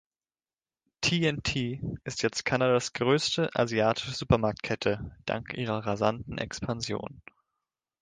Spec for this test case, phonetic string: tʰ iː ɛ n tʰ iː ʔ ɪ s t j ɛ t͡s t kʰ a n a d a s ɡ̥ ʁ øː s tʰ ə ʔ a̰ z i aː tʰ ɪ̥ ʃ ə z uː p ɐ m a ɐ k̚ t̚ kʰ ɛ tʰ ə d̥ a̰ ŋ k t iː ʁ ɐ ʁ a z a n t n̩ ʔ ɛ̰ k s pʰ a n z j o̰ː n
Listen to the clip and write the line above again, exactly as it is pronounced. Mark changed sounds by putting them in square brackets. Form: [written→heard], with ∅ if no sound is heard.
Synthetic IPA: tʰ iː ɛ n tʰ iː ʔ ɪ s t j ɛ t͡s t kʰ a n a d a s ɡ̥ ʁ øː s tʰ ə ʔ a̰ z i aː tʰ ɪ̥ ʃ ə z uː p ɐ m a ɐ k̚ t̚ kʰ ɛ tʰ ə d̥ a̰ ŋ k [t→ʔ] iː ʁ ɐ ʁ a z a n t n̩ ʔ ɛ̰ k s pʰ a n z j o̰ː n